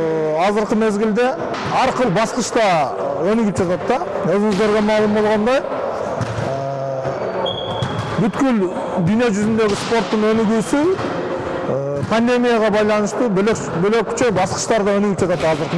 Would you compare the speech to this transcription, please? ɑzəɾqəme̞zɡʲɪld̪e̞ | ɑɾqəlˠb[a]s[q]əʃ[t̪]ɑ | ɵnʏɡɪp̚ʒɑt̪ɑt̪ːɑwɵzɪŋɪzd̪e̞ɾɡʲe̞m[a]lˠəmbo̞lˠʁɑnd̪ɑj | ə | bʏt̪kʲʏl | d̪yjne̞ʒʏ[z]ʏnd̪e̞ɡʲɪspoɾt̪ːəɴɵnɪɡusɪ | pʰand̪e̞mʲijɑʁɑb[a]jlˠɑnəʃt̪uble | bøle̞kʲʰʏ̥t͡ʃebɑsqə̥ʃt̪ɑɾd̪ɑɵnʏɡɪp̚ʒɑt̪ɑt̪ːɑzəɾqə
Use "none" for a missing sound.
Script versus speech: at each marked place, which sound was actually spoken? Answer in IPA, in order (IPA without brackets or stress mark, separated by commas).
ɑ, q, t̪, ɑ, z, ɑ